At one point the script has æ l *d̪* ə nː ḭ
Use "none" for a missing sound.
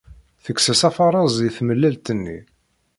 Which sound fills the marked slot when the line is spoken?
t̪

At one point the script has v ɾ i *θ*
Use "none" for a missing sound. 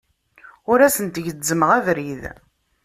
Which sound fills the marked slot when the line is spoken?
ð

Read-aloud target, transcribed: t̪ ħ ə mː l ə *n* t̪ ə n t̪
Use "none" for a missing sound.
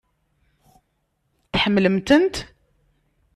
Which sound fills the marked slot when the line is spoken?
m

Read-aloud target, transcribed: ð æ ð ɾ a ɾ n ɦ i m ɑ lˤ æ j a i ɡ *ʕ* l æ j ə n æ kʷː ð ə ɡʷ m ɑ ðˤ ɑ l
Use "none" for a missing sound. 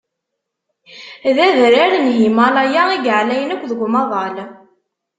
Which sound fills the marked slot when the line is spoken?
ʕ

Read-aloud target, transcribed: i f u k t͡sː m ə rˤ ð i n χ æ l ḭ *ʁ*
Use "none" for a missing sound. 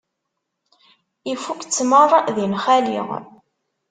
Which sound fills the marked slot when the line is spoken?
ʁ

